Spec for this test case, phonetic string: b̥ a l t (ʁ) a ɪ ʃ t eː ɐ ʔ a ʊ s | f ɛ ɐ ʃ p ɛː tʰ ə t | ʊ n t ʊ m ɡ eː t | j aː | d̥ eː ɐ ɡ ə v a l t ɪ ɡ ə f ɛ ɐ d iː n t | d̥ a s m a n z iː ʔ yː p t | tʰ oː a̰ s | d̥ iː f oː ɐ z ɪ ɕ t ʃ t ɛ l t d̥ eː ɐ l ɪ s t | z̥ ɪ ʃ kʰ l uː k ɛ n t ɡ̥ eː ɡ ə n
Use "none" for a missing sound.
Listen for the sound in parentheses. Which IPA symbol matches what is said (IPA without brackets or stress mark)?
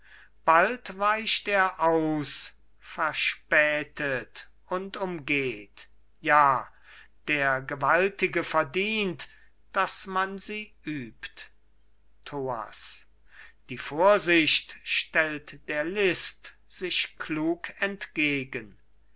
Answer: v